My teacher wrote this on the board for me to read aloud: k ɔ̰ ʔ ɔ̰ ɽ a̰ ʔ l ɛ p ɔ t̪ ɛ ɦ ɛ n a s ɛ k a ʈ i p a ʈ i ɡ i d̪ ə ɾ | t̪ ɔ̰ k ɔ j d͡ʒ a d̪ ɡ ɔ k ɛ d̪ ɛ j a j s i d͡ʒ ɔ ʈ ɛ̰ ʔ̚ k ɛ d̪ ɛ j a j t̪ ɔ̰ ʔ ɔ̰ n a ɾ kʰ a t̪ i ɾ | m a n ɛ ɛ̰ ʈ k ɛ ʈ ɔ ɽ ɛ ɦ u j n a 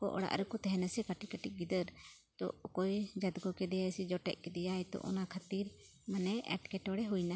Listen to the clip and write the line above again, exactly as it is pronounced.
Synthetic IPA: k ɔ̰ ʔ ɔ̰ ɽ a̰ ʔ ɾ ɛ k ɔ t̪ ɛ ɦ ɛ n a s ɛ k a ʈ i k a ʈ i ɡ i d̪ ə ɾ | t̪ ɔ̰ k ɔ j d͡ʒ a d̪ ɡ ɔ k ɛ d̪ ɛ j a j s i d͡ʒ ɔ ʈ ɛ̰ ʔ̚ k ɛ d̪ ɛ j a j t̪ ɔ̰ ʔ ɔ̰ n a kʰ a t̪ i ɾ | m a n ɛ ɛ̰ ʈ k ɛ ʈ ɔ ɽ ɛ ɦ u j n a